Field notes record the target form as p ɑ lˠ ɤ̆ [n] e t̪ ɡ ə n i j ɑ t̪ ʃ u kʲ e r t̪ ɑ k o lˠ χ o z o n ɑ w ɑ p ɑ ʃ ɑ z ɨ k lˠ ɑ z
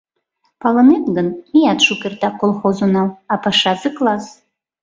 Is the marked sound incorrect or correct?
correct